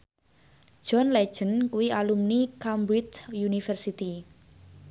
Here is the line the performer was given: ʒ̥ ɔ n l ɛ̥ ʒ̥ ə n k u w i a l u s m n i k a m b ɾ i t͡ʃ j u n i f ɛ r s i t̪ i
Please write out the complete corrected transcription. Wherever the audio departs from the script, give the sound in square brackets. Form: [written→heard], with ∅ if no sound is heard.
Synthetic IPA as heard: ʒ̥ ɔ n l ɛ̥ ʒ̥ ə n k u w i a l u [s→∅] m n i k a m b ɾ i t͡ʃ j u n i f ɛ r s i t̪ i